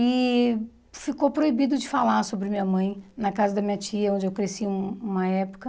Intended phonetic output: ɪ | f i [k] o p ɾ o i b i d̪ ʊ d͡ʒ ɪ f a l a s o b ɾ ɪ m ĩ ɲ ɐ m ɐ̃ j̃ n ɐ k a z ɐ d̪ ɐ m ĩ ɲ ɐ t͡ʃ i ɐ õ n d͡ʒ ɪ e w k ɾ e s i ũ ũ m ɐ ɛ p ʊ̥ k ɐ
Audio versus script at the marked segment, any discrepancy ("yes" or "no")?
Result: no